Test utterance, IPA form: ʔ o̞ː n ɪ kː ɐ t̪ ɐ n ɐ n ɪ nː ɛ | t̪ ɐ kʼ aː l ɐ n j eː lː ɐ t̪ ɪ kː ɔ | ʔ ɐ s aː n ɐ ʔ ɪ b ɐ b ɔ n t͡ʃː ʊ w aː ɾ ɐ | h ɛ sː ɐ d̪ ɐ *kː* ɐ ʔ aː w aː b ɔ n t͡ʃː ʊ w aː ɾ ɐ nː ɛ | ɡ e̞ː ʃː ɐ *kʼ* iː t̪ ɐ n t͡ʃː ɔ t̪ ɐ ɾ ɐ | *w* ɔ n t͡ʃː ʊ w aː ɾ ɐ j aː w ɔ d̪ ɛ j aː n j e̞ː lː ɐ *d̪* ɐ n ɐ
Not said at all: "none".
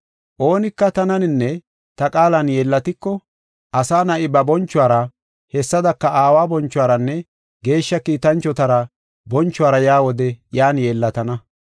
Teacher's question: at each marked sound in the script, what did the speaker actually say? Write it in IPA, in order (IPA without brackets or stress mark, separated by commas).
kː, k, b, t̪